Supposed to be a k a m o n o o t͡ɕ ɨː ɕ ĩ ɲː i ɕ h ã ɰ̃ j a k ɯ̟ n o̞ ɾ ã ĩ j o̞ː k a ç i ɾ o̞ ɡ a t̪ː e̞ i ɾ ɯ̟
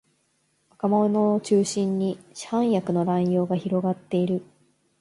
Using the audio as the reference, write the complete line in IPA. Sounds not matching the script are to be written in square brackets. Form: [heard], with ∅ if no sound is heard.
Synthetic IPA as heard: a k a m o n o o t͡ɕ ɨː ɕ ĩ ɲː i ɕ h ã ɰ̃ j a k ɯ̟ n o̞ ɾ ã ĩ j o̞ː [ɡ] a ç i ɾ o̞ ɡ a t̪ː e̞ i ɾ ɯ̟